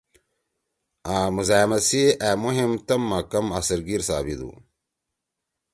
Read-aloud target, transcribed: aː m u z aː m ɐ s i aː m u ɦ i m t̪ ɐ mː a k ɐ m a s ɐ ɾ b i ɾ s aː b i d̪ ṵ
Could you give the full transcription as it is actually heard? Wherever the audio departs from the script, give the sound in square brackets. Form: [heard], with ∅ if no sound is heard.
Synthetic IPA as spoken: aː m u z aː m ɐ s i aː m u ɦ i m t̪ ɐ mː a k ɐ m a s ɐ ɾ [ɡ] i ɾ s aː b i d̪ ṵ